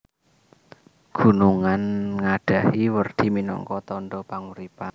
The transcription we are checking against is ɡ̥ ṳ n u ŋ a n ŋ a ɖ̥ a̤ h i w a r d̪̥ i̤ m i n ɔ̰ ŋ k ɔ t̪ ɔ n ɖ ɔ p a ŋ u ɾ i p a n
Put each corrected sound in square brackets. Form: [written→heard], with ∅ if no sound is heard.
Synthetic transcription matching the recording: ɡ̥ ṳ n u ŋ a n ŋ a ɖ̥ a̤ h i w [a→ə] r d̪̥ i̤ m i n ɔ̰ ŋ k ɔ t̪ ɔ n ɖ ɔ p a ŋ u ɾ i p a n